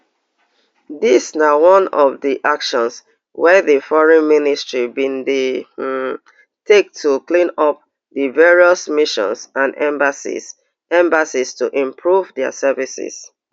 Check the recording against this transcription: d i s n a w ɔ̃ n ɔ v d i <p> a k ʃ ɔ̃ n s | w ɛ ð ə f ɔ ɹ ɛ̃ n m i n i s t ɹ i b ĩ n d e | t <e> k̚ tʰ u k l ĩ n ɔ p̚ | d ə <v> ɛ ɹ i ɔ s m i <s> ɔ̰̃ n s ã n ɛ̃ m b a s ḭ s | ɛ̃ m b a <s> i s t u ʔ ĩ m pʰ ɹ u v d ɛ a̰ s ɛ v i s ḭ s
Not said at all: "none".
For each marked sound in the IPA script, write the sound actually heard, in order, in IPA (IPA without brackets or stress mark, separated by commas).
ʔ, e, v, ʃ, s